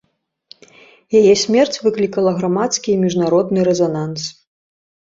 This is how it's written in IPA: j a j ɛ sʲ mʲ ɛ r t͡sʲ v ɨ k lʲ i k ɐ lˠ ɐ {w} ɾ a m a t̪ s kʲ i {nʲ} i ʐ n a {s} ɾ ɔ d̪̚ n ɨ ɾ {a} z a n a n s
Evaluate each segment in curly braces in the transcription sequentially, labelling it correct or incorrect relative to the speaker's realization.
incorrect, incorrect, incorrect, incorrect

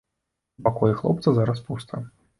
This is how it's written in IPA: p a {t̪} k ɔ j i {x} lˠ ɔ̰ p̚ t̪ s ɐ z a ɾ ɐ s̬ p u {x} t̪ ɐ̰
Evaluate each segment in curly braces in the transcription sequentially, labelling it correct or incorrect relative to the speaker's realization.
incorrect, correct, incorrect

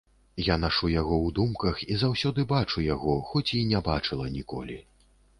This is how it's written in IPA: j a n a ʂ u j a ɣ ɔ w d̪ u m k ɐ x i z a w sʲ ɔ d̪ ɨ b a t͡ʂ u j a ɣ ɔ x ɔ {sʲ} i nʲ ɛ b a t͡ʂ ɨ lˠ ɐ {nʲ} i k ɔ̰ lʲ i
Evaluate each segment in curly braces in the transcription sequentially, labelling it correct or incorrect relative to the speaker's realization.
incorrect, correct

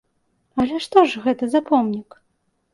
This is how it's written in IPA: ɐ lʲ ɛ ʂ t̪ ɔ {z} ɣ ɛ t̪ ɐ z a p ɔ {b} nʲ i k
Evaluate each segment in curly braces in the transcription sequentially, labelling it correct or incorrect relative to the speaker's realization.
incorrect, incorrect

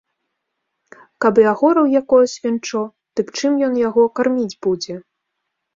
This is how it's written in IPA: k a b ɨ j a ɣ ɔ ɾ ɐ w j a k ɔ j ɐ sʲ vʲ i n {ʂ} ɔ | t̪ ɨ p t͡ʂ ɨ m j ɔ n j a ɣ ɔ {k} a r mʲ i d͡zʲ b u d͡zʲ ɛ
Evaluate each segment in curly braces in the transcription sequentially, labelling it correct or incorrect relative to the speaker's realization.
incorrect, correct

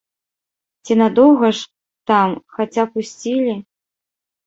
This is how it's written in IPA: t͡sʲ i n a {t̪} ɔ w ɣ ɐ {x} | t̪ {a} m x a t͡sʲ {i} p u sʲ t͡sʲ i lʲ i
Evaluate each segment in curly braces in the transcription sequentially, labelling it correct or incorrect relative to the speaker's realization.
incorrect, incorrect, correct, incorrect

